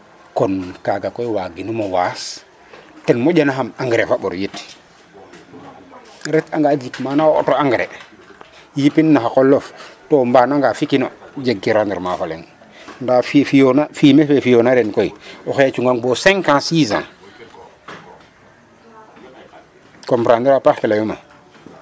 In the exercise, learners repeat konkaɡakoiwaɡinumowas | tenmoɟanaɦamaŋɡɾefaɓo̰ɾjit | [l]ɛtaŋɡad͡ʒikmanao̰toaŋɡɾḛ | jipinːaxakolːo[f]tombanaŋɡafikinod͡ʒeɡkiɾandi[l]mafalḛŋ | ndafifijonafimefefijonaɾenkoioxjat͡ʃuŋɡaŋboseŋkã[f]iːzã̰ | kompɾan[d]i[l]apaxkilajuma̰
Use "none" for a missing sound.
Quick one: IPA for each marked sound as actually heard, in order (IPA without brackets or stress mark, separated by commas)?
ɾ, f, ɾ, s, d, ɾ